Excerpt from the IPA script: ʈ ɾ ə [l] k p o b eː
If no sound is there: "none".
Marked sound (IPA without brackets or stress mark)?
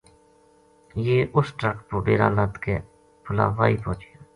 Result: none